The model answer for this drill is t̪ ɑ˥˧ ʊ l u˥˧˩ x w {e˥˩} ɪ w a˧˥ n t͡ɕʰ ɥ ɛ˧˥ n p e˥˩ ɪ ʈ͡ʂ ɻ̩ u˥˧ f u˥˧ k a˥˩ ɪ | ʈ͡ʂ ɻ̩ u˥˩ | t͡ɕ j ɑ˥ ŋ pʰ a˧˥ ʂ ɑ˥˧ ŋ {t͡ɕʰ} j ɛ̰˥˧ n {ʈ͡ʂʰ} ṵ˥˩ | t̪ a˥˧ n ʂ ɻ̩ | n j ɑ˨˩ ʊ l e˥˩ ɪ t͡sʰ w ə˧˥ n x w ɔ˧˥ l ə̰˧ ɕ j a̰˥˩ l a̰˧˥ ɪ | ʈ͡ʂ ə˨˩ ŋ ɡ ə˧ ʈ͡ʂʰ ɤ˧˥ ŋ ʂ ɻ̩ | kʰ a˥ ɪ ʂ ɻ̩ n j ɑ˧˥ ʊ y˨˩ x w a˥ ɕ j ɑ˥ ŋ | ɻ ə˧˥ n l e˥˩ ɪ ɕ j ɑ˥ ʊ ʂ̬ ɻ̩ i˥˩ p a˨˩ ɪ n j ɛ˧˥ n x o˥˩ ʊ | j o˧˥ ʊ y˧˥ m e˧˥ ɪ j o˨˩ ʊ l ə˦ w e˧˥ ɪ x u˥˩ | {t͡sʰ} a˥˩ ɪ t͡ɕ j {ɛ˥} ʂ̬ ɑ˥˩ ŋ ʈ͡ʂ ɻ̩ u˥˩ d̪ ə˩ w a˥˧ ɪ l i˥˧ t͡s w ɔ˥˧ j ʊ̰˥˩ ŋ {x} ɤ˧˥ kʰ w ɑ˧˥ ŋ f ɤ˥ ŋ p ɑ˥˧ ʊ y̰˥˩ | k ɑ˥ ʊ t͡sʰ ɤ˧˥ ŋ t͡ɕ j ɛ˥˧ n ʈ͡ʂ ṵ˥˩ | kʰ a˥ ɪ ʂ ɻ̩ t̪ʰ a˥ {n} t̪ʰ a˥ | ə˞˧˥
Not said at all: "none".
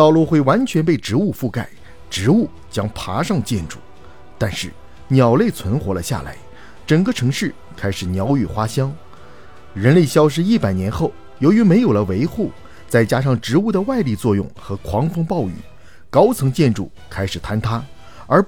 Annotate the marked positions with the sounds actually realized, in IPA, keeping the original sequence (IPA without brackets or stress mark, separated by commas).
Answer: e˥˩, t͡ɕ, ʈ͡ʂ, t͡s, a˥, x, n